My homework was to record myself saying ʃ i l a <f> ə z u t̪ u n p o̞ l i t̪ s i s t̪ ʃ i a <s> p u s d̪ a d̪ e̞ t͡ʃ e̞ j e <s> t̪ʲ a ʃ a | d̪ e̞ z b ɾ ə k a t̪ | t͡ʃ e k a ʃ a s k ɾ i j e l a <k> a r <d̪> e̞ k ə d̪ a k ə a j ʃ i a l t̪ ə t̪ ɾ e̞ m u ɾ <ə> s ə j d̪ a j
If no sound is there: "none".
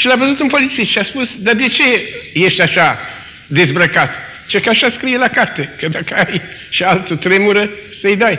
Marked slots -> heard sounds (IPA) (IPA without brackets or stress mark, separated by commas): v, s, ʃ, k, t̪, ə